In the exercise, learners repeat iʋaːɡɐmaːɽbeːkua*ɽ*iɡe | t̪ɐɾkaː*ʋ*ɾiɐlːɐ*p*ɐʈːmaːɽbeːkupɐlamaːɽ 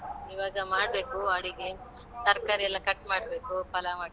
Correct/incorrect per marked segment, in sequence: correct, incorrect, incorrect

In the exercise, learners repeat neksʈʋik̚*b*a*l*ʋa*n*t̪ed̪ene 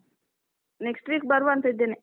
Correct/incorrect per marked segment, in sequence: correct, incorrect, correct

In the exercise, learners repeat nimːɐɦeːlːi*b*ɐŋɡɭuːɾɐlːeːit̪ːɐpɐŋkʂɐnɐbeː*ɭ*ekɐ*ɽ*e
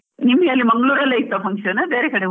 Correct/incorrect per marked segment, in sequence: incorrect, incorrect, correct

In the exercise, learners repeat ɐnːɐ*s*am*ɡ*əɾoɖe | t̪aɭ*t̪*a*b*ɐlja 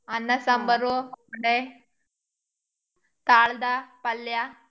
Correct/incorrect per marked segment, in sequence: correct, incorrect, incorrect, incorrect

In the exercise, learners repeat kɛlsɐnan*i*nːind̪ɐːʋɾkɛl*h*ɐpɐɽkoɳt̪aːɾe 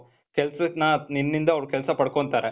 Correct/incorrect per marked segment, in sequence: correct, incorrect

